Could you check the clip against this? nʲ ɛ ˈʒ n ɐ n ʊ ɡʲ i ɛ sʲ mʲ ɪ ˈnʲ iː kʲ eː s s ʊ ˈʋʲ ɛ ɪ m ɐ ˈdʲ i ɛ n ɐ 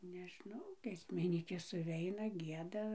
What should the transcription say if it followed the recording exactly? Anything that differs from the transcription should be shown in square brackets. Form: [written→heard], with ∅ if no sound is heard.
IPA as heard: nʲ ɛ ˈʒ n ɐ [n→∅] ʊ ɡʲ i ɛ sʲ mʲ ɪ ˈnʲ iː kʲ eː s s ʊ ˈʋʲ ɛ ɪ [m→n] ɐ [ˈdʲ→ˈɡʲ] i ɛ [n→d] ɐ